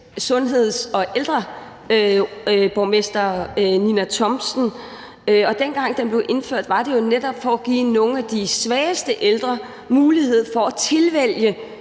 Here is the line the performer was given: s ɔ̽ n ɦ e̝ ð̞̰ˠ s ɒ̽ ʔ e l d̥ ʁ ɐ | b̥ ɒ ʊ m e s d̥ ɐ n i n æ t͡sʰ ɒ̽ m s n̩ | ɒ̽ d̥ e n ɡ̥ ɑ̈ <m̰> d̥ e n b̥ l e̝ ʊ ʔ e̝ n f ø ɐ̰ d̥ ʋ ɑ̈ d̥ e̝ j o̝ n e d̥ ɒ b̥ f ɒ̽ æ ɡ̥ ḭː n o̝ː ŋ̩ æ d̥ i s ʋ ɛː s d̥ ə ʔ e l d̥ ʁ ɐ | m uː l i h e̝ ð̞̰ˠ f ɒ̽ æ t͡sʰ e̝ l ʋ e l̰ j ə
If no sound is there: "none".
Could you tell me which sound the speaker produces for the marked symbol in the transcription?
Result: ŋ̰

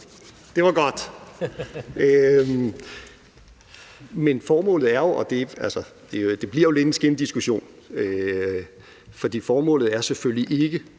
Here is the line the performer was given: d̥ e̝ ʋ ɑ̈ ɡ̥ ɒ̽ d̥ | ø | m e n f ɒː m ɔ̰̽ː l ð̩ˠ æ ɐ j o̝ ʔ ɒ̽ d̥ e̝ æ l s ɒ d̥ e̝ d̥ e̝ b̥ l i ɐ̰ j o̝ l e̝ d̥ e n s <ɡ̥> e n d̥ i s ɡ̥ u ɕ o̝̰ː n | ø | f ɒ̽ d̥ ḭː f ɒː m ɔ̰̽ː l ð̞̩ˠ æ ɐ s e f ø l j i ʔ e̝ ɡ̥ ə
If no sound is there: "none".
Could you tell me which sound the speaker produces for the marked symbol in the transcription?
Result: ɡ̥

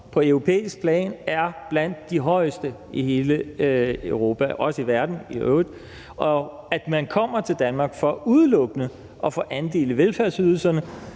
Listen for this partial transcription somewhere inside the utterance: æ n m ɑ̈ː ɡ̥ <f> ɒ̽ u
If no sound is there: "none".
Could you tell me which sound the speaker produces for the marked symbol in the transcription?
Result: f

